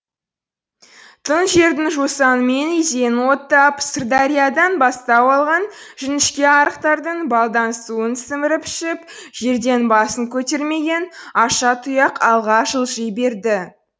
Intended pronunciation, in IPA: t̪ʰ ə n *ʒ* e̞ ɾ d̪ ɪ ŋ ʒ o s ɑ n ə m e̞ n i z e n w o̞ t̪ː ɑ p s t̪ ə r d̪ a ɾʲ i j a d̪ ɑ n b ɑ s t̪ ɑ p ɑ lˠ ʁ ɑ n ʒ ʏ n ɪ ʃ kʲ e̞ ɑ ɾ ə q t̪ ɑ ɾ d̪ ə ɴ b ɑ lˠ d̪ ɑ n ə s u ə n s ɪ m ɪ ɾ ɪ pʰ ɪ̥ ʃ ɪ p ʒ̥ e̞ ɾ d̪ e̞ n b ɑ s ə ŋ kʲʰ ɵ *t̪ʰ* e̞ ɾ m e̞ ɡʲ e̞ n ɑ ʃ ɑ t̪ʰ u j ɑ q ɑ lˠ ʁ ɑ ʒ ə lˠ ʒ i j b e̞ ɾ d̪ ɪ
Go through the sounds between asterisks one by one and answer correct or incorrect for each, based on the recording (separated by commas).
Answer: correct, incorrect